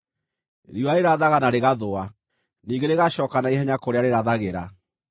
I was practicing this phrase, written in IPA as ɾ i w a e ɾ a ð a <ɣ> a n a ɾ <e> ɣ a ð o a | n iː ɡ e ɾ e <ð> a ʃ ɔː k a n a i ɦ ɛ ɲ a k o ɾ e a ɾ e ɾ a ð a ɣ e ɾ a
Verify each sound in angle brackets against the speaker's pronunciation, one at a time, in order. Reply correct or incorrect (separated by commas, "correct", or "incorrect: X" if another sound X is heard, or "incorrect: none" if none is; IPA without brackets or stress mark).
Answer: correct, correct, incorrect: ɣ